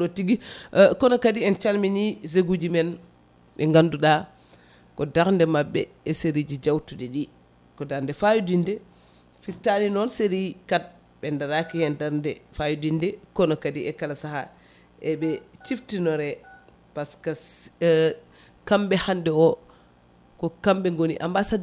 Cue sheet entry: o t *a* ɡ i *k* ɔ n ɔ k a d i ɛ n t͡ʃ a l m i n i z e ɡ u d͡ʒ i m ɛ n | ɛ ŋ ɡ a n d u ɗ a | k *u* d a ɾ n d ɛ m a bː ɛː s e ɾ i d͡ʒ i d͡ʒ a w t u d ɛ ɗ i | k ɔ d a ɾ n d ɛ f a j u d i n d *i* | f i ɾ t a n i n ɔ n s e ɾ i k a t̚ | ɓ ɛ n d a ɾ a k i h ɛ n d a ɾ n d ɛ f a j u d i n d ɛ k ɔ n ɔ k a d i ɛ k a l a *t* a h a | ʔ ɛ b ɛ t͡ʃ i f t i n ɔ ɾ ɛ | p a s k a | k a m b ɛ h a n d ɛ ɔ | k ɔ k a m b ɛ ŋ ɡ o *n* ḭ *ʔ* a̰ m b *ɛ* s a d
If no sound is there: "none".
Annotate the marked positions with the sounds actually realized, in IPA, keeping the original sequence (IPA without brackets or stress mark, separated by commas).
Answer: i, k, ɔ, ɛ, s, n, ʔ, a